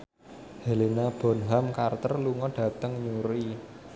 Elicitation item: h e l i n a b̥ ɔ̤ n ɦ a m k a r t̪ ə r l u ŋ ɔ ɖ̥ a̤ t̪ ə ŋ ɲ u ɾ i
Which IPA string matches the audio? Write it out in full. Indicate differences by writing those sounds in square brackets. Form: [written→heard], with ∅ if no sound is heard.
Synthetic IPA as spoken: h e l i n a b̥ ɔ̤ n ɦ a m k a r t̪ ə r l u ŋ ɔ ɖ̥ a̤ t̪ ə ŋ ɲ u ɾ i